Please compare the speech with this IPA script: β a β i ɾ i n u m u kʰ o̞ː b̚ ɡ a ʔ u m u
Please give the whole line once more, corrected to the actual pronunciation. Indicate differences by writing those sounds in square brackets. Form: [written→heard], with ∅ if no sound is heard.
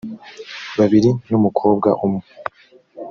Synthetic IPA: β a β i ɾ i n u m u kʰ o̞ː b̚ ɡ a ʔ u m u